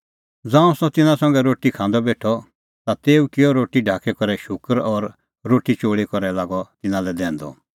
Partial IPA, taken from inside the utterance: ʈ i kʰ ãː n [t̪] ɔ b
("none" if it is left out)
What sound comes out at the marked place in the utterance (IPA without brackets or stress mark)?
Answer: d̪